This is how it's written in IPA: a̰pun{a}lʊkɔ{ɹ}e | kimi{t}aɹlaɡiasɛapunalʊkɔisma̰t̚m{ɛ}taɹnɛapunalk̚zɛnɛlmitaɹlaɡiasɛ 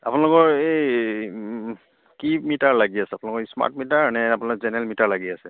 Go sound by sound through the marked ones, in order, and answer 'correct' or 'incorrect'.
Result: correct, correct, correct, incorrect

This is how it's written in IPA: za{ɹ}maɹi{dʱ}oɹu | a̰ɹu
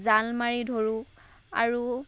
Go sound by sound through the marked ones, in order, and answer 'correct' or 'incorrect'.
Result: incorrect, correct

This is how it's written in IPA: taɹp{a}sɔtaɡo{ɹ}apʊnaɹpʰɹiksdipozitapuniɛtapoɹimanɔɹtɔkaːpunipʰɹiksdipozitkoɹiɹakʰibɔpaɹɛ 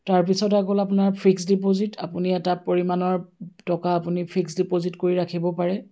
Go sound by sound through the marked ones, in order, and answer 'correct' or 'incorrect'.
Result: incorrect, incorrect

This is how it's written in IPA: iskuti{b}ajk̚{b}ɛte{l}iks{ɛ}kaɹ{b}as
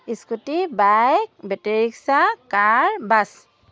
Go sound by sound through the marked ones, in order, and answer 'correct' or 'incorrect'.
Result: correct, correct, incorrect, incorrect, correct

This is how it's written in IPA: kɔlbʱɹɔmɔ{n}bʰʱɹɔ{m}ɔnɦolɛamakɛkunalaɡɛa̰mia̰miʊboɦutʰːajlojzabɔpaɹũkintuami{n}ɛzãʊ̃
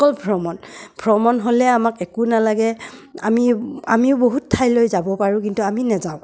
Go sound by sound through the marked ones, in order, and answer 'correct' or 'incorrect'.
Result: correct, correct, correct

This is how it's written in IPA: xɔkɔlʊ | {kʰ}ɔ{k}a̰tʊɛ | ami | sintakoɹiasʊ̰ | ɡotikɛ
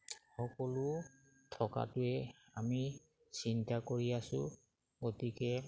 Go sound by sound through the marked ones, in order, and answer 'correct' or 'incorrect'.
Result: incorrect, correct

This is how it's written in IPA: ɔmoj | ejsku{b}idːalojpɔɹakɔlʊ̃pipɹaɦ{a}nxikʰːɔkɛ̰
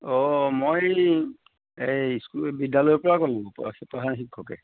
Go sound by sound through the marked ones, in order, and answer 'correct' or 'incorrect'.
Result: correct, correct

